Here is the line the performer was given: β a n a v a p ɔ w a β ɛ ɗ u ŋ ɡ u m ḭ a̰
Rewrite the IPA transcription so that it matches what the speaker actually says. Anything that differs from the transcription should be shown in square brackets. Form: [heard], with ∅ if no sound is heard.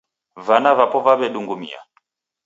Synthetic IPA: [v] a n a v a p ɔ [v] a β ɛ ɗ u ŋ ɡ u m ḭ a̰